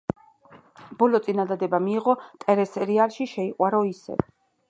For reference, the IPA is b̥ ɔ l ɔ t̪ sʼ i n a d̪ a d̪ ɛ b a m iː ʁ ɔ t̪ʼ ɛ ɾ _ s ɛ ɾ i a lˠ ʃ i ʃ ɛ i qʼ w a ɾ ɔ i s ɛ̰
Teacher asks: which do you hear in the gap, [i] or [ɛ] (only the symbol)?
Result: ɛ